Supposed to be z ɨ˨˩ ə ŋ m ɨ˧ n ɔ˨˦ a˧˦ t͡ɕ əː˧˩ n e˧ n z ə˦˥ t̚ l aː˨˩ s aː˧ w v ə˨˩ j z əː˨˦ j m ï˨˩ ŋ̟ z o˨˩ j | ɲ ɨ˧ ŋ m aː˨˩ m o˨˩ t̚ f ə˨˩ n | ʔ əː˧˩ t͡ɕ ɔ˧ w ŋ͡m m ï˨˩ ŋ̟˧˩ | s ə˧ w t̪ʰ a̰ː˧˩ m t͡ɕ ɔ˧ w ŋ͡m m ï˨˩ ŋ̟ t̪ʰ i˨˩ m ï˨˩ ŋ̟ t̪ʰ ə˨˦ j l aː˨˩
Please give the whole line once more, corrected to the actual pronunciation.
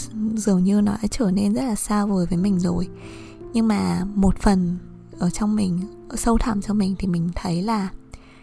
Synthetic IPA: z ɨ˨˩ ə ŋ ɲ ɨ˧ n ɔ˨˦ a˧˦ t͡ɕ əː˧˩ n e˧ n z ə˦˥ t̚ l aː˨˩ s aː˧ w v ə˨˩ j v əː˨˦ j m ï˨˩ ŋ̟ z o˨˩ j | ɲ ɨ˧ ŋ m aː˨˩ m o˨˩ t̚ f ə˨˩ n | ʔ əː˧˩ t͡ɕ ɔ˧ w ŋ͡m m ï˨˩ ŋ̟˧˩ | s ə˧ w t̪ʰ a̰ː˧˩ m t͡ɕ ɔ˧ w ŋ͡m m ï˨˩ ŋ̟ t̪ʰ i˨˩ m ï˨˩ ŋ̟ t̪ʰ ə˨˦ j l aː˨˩